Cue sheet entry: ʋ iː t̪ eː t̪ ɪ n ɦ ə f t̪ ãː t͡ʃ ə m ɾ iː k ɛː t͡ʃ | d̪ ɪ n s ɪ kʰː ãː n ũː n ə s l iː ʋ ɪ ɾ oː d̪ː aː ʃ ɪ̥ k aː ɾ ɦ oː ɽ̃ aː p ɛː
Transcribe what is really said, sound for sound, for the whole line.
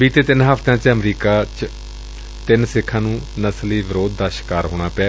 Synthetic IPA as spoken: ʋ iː t̪ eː t̪ ɪ n ɦ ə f t̪ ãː t͡ʃ ə m ɾ iː k aː t͡ʃ | t̪ ɪ n s ɪ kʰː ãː n ũː n ə s l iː ʋ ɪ ɾ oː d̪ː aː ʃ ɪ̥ k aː ɾ ɦ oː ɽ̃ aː p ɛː